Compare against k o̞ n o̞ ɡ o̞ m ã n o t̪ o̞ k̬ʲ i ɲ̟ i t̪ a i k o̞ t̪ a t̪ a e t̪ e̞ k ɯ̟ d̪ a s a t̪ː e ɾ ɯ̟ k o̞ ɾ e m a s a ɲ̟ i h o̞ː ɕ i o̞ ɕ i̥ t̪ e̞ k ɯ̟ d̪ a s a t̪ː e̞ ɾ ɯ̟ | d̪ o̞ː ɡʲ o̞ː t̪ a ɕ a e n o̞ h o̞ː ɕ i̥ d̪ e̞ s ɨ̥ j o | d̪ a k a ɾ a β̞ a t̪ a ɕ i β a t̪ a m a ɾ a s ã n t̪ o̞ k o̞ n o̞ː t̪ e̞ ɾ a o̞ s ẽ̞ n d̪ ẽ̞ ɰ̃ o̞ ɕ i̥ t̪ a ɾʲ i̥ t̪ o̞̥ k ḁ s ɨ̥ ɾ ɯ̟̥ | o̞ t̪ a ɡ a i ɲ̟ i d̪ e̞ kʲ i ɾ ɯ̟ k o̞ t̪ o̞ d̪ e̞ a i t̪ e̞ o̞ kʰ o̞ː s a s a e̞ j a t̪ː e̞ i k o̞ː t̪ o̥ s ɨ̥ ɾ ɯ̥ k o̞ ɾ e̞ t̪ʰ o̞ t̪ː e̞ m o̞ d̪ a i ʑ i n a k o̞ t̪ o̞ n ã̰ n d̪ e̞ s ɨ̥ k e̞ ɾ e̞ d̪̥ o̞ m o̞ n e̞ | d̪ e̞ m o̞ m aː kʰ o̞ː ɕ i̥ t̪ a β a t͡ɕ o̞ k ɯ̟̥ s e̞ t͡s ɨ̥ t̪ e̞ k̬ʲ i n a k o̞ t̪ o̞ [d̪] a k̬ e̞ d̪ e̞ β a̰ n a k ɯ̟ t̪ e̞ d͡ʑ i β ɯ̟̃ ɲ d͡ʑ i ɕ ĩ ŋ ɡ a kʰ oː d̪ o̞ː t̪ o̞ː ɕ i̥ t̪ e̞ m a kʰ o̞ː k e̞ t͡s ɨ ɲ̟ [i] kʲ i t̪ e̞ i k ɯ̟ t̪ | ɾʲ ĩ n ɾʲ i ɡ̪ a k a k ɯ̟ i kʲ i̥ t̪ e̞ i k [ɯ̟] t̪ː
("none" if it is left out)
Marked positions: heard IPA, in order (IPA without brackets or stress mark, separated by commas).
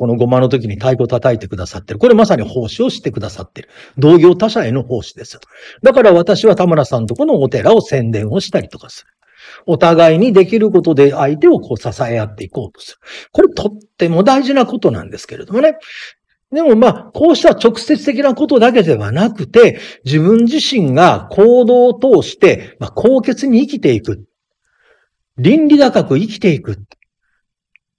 d̪, iː, ɯ̟